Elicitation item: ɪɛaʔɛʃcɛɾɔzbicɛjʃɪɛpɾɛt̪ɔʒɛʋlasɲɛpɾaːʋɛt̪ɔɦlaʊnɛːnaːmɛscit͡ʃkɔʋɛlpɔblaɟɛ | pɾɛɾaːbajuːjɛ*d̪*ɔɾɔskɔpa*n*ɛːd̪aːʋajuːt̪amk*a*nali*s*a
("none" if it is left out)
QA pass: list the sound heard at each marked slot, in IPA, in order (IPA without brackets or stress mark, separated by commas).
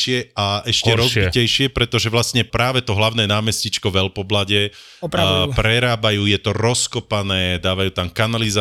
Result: t̪, n, a, z